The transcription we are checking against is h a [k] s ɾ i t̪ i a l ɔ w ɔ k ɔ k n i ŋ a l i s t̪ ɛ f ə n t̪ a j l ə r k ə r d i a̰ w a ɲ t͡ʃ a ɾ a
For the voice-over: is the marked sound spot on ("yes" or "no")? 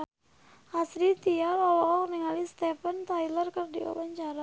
no